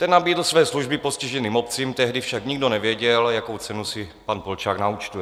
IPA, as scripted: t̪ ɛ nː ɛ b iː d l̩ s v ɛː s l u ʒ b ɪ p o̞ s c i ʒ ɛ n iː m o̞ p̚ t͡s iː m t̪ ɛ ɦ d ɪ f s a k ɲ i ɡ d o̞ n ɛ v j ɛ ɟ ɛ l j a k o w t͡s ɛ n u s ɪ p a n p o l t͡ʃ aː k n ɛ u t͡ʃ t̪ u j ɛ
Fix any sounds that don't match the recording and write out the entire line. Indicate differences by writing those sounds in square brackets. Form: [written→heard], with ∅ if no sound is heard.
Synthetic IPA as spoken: t̪ ɛ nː [ɛ→a] b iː d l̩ s v ɛː s l u ʒ b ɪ p o̞ s c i ʒ ɛ n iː m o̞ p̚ t͡s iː m t̪ ɛ ɦ d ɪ f [s→ʃ] a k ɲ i ɡ d o̞ n ɛ v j ɛ ɟ ɛ l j a k o w t͡s ɛ n u s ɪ p a n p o l t͡ʃ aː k n [ɛ→a] u t͡ʃ t̪ u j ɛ